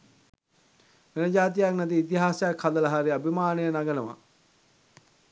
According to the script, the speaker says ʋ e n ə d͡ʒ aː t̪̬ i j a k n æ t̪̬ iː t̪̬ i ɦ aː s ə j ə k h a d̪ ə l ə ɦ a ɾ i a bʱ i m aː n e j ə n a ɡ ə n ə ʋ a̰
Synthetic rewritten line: ʋ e n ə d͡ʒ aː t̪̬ i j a k n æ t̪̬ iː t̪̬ i ɦ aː s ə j a k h a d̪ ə l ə ɦ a ɾ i a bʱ i m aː n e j ə n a ɡ ə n ə ʋ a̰